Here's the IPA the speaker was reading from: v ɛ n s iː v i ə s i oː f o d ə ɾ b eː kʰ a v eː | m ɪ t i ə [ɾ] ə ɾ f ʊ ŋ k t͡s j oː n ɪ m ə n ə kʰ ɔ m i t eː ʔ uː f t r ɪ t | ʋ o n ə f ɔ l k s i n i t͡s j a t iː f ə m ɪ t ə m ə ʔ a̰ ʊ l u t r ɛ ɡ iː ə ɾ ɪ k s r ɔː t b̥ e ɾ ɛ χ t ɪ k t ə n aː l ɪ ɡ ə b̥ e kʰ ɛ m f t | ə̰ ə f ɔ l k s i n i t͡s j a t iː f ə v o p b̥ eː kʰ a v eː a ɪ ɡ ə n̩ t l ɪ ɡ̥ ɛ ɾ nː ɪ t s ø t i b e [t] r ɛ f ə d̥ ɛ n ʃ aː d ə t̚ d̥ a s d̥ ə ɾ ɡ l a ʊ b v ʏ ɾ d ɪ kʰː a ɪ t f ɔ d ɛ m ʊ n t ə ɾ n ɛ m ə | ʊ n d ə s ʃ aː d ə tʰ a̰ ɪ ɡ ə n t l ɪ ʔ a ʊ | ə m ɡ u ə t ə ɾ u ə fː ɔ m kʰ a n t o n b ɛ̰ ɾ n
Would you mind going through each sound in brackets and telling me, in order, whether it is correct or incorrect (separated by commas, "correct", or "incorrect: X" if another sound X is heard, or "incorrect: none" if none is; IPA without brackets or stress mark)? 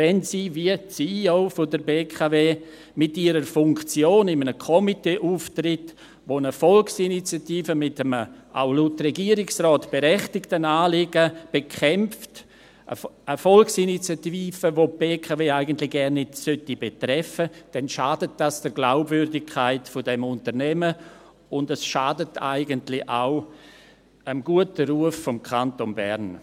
correct, correct